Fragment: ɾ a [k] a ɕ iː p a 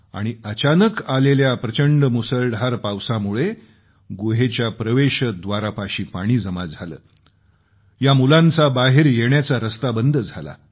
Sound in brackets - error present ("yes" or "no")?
yes